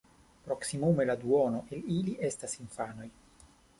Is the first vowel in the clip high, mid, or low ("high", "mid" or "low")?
mid